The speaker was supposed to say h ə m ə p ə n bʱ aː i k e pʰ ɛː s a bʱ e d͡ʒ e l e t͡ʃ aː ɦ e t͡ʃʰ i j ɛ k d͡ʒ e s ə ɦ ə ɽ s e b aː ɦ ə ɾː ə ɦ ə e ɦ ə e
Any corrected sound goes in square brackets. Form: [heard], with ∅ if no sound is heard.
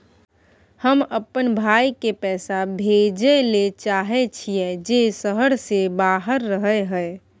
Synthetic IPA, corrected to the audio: h ə m ə p ə n bʱ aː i k e [p] ɛː s a bʱ e d͡ʒ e l e t͡ʃ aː ɦ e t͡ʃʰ i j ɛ [∅] d͡ʒ e s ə ɦ ə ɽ s e b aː ɦ ə ɾː ə ɦ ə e ɦ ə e